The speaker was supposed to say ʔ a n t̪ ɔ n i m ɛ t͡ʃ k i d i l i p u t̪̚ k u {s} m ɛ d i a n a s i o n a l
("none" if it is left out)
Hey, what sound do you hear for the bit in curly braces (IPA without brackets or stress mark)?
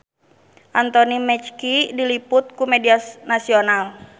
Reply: none